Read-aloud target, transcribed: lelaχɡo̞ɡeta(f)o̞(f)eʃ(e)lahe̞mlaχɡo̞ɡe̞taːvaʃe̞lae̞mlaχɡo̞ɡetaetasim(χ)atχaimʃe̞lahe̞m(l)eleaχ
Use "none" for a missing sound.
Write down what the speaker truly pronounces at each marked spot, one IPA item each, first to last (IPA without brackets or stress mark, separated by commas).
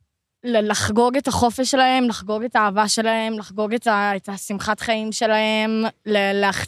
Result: χ, f, e, χ, l